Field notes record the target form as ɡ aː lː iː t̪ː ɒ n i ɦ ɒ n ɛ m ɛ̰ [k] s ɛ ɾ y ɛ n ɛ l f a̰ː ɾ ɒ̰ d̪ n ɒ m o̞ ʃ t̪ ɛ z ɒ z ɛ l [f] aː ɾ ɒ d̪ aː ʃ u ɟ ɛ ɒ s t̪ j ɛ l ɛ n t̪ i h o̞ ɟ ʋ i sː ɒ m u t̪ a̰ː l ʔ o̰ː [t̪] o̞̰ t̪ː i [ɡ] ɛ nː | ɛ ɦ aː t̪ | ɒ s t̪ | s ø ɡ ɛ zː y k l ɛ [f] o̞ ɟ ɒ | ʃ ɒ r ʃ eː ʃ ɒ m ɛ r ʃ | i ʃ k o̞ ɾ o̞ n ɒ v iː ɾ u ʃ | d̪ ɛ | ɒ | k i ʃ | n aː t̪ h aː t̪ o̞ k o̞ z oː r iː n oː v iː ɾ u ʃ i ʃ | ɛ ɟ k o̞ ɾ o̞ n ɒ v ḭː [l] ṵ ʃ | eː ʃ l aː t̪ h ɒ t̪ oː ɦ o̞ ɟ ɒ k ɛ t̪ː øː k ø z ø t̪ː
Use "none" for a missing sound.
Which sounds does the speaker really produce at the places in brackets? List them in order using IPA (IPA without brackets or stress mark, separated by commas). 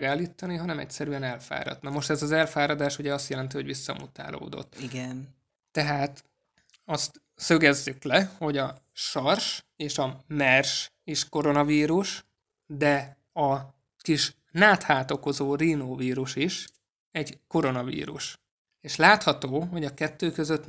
c, f, d̪, ɡ, h, ɾ